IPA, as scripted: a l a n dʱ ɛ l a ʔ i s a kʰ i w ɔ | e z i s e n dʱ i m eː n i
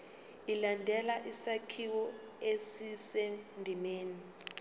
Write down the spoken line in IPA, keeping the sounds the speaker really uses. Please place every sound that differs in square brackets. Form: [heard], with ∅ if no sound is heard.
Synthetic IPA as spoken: [i] l a n dʱ ɛ l a ʔ i s a kʰ i w ɔ | e [s] i s e n dʱ i m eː n i